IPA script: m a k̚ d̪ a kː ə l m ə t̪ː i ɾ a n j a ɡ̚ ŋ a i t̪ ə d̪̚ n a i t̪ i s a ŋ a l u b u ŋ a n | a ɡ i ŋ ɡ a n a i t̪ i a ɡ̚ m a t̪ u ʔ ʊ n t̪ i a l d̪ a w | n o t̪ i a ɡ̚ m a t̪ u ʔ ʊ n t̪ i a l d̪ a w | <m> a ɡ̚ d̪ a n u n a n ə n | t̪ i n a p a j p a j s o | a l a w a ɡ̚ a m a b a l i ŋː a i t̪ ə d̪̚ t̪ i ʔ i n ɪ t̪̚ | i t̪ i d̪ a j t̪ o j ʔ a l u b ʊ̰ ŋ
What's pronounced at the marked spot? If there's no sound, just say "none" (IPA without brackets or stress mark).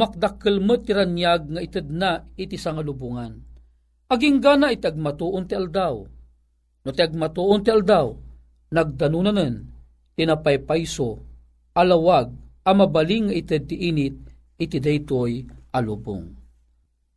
n